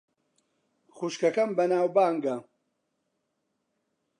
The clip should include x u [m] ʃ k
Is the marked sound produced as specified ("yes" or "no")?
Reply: no